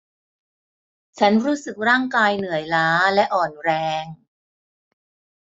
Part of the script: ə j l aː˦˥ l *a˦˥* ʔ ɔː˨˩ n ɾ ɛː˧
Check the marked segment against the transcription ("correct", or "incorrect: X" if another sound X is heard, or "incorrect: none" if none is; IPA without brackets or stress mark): incorrect: ɛ˦˥